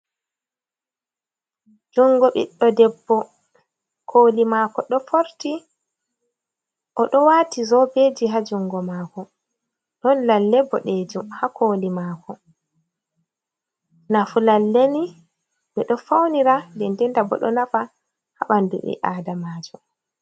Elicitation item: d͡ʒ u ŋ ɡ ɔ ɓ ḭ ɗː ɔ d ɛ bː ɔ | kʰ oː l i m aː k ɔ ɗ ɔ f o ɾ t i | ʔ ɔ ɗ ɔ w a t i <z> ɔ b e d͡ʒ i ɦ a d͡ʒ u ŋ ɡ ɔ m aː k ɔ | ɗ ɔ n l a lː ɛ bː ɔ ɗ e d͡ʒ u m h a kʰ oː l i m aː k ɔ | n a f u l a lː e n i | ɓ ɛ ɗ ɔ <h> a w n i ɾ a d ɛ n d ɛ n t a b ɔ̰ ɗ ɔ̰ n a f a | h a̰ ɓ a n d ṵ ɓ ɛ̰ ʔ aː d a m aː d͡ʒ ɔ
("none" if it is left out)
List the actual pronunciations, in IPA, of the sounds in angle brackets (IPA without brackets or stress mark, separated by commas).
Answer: z, f